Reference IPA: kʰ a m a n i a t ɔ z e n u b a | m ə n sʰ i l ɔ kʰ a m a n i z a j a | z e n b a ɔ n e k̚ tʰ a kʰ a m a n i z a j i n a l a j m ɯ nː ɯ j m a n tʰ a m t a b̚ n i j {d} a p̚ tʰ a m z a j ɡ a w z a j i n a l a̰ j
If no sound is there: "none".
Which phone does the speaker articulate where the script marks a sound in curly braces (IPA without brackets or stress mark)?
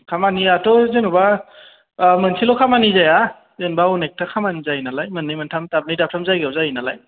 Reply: d